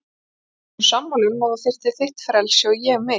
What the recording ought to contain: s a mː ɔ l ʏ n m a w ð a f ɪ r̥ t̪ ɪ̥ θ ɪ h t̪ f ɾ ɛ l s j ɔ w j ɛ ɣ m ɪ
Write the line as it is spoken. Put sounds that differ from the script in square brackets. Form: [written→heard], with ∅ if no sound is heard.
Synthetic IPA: s a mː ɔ l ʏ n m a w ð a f ɪ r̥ t̪ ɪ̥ θ ɪ h t̪ f ɾ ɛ l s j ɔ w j ɛ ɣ m ɪ